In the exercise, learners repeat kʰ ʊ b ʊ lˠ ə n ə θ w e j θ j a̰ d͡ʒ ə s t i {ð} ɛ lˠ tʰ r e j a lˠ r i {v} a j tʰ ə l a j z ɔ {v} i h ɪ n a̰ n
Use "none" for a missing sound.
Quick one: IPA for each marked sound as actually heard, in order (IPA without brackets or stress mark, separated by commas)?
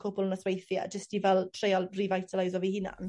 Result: v, v, v